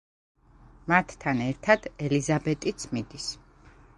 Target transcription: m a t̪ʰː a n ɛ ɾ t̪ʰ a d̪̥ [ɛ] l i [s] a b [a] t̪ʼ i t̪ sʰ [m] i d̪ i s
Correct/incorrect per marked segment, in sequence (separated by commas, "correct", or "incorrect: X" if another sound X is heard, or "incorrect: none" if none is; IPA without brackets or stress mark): correct, incorrect: z, incorrect: ɛ, correct